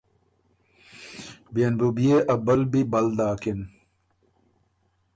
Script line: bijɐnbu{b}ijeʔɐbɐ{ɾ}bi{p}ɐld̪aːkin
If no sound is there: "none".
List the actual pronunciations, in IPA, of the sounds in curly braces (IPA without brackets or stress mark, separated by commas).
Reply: b, l, b